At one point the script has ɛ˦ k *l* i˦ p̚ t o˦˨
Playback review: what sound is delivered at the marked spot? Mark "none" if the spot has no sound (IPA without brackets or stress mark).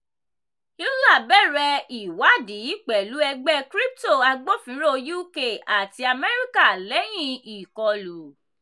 ɾ